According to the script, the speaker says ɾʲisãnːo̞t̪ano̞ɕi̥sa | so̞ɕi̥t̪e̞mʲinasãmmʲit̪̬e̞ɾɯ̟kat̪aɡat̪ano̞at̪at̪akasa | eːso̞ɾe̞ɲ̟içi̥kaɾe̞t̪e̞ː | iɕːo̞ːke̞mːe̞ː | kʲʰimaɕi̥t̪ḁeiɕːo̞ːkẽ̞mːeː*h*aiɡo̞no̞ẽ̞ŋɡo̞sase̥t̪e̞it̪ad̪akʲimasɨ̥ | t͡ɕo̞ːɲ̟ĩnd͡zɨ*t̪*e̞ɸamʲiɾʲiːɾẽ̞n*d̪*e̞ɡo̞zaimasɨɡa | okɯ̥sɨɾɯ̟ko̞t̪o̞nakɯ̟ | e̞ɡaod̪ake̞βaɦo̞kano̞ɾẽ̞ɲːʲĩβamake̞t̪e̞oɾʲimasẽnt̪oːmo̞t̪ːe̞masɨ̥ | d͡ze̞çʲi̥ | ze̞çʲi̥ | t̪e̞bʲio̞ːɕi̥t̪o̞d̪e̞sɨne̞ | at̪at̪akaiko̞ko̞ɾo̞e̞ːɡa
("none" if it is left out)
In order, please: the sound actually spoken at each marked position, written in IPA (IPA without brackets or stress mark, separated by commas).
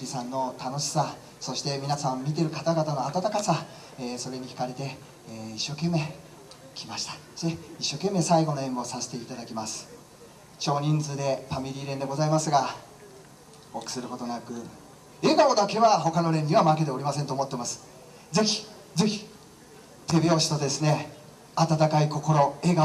s, d̪, d̪